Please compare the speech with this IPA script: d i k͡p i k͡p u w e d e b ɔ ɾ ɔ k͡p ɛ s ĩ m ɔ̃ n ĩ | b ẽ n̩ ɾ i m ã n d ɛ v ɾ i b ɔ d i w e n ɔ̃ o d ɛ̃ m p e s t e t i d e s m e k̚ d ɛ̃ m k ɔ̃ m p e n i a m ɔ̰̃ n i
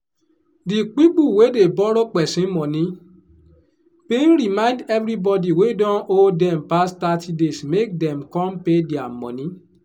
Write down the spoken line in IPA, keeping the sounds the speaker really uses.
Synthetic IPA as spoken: d i k͡p i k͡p u w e d e b ɔ ɾ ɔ k͡p ɛ s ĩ m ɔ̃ n ĩ | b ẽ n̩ ɾ i m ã n d ɛ v ɾ i b ɔ d i w e d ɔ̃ o d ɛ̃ m p a s t a t i d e s m e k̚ d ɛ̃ m k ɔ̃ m p e d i a m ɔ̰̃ n ĩ

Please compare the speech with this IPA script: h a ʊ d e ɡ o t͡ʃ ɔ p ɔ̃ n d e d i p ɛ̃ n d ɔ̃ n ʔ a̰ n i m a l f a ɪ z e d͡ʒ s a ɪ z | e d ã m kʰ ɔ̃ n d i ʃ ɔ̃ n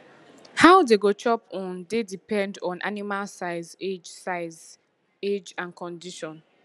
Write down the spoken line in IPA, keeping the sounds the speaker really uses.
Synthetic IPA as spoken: h a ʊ d e ɡ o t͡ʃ ɔ p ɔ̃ n d e d i p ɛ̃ n d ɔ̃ n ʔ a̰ n i m a l s a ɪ z e d͡ʒ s a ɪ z | e d͡ʒ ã n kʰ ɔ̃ n d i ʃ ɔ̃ n

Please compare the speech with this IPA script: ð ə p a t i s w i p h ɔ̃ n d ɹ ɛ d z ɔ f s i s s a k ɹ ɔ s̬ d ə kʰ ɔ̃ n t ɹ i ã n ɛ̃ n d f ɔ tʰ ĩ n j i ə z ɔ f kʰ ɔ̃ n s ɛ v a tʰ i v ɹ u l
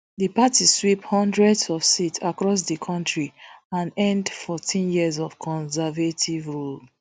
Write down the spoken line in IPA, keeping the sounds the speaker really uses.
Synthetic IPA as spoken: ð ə p a t i s w i p h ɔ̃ n d ɹ ɛ d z ɔ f s i t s a k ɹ ɔ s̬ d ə kʰ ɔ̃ n t ɹ i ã n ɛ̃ n d f ɔ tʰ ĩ n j i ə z ɔ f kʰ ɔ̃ n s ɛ v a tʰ i v ɹ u l

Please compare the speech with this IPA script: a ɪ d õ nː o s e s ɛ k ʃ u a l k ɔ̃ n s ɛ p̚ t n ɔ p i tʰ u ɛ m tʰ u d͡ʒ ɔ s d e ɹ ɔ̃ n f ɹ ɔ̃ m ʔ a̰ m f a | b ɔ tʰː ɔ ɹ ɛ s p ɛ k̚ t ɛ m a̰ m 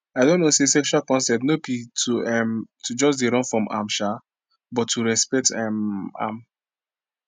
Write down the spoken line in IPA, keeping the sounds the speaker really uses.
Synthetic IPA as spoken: a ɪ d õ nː o s e s ɛ k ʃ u a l k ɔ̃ n s ɛ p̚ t n o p i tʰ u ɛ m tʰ u d͡ʒ ɔ s d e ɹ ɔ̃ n f ɹ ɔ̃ m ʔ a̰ m ʃ a | b ɔ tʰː u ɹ ɛ s p ɛ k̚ t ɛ m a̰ m

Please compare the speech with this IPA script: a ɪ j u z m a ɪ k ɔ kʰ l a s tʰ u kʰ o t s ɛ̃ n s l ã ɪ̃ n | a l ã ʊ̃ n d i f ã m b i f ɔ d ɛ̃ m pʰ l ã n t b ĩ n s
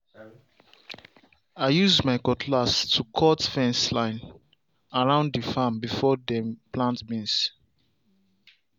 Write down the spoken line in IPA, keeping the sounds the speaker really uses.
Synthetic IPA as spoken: a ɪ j u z m a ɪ k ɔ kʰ l a s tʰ u kʰ ɔ t f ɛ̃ n s l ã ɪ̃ n | a ɹ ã ʊ̃ n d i f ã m b i f ɔ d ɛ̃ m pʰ l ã n t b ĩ n s

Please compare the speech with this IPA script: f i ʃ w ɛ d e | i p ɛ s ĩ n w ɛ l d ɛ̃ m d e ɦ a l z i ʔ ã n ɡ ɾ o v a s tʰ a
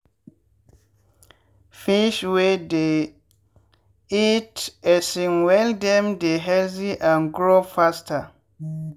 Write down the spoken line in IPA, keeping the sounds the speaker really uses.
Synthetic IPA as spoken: f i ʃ w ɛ d e | i t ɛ s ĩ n w ɛ l d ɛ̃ m d e ɦ ɛ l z i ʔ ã n ɡ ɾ o f a s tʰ a

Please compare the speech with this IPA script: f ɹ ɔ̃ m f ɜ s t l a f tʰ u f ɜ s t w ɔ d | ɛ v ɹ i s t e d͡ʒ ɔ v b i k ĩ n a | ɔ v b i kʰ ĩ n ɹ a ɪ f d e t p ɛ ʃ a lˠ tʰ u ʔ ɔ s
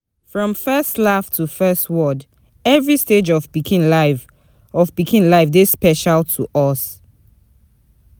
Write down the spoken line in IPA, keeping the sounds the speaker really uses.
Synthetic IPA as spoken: f ɹ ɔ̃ m f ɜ s t l a f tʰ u f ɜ s t w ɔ d | ɛ v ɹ i s t e d͡ʒ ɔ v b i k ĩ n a | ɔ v b i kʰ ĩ n l a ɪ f d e s p ɛ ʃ a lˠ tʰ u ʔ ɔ s

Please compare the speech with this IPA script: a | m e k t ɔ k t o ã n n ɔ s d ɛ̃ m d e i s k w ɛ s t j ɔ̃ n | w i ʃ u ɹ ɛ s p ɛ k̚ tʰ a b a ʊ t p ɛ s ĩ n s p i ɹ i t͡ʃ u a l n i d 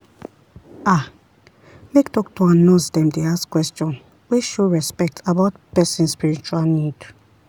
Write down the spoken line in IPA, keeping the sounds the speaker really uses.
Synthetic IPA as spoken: a | m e k t ɔ k t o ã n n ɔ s d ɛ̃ m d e a s k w ɛ s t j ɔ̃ n | w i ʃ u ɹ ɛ s p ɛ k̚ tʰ a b a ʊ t p ɛ s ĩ n s p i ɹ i t͡ʃ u a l n i d

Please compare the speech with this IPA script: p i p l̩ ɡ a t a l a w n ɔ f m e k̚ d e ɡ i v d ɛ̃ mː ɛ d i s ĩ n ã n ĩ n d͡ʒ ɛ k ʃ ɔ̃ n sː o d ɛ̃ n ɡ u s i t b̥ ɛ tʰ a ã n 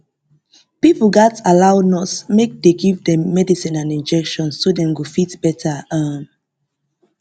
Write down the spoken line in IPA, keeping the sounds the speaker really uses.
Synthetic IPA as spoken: p i p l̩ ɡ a t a l a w n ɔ s m e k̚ d e ɡ i v d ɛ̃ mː ɛ d i s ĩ n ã n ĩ n d͡ʒ ɛ k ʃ ɔ̃ n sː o d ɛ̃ n ɡ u f i t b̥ ɛ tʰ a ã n

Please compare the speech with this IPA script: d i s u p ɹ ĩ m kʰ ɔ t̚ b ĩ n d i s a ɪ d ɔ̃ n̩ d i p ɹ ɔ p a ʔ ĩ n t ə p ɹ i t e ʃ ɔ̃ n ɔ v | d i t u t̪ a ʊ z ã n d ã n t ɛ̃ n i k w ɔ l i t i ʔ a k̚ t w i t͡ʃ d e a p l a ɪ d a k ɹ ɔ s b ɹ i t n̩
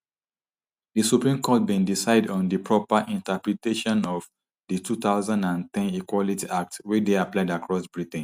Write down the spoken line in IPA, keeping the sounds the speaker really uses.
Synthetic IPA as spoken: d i s u p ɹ ĩ m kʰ ɔ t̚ b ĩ n d i s a ɪ d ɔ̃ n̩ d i p ɹ ɔ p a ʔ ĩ n t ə p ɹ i t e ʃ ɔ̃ n ɔ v | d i t u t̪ a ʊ z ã n d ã n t ɛ̃ n i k w ɔ l i t i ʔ a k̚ t w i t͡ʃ d e a p l a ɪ d a k ɹ ɔ s b ɹ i t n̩

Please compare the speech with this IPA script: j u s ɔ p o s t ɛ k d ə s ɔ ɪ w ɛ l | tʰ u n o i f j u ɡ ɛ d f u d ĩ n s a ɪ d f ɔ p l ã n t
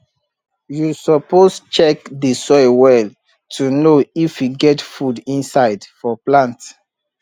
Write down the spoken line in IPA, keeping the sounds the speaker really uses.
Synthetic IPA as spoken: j u s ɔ p o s t͡ʃ ɛ k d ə s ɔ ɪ w ɛ l | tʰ u n o i f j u ɡ ɛ t f u d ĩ n s a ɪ d f ɔ p l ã n t

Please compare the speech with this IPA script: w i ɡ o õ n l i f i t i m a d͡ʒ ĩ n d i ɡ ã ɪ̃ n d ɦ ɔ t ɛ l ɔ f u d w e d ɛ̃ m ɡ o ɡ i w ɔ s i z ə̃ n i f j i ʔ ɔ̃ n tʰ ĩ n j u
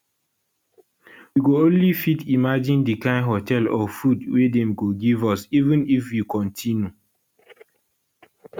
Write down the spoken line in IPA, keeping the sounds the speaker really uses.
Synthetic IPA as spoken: w i ɡ o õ n l i f i t i m a d͡ʒ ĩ n d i k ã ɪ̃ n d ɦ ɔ t ɛ l ɔ f u d w e d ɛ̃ m ɡ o ɡ i v ɔ s i v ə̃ n i f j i k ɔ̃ n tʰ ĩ n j u

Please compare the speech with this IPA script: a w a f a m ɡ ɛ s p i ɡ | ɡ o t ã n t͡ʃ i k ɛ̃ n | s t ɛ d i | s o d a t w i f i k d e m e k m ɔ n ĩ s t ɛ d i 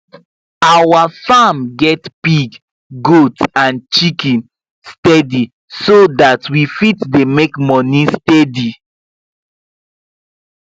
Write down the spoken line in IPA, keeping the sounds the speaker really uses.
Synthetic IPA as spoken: a w a f a m ɡ ɛ t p i ɡ | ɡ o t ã n t͡ʃ i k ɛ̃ n | s t ɛ d i | s o d a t w i f i t d e m e k m ɔ n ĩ s t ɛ d i

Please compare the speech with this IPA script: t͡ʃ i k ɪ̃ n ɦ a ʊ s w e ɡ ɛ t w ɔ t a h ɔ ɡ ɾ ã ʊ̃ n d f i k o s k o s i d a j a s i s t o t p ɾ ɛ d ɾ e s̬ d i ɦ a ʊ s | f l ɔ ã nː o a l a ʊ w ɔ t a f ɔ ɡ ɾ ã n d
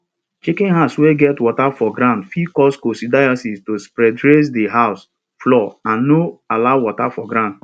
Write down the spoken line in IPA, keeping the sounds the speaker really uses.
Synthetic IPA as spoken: t͡ʃ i k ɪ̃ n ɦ a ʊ s w e ɡ ɛ t w ɔ t a f ɔ ɡ ɾ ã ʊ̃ n d f i k ɔ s k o s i d a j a s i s t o s p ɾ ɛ d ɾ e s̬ d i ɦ a ʊ s | f l ɔ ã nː o a l a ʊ w ɔ t a f ɔ ɡ ɾ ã n d

